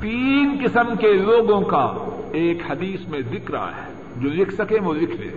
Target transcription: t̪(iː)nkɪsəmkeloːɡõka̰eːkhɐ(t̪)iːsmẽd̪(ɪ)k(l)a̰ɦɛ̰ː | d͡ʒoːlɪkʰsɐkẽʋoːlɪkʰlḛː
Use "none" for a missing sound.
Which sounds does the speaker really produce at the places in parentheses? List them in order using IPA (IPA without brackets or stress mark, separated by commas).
iː, d̪, ɪ, ɾ